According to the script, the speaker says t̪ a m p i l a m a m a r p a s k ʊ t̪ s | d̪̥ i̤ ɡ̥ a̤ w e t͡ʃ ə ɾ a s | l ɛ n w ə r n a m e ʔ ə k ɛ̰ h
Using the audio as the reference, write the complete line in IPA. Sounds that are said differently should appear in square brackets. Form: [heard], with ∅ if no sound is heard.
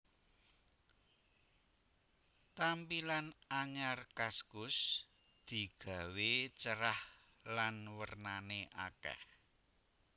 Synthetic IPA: t̪ a m p i l a [n] a [ɲ] a r [k] a s k ʊ [∅] s | d̪̥ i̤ ɡ̥ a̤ w e t͡ʃ ə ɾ a [h] | l [a] n w ə r n a [n] e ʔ [a] k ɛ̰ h